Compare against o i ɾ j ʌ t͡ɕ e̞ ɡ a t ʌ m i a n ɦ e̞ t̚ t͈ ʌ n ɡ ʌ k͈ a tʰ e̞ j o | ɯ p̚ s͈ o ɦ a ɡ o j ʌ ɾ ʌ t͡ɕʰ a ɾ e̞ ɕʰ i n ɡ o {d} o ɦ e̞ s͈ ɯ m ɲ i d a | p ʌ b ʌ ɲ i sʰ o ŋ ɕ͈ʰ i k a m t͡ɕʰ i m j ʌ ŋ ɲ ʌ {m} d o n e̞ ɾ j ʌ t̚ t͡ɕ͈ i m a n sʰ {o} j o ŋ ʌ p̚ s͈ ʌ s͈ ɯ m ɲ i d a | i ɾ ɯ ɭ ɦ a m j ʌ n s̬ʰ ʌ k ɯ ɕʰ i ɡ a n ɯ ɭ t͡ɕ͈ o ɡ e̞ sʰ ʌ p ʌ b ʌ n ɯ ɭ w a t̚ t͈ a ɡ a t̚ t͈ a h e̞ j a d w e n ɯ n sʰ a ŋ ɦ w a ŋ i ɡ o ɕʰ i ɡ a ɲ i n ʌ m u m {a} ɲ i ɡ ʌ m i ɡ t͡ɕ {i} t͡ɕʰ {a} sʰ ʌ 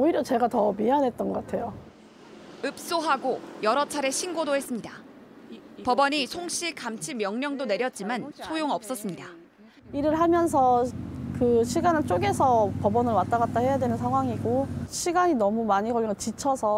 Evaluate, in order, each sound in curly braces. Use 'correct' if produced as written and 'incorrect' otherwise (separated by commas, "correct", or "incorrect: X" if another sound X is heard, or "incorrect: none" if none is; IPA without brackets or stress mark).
correct, incorrect: ŋ, correct, correct, correct, incorrect: ʌ